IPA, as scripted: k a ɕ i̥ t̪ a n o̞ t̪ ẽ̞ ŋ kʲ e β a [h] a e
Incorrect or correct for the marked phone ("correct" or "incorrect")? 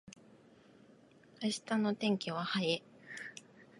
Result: correct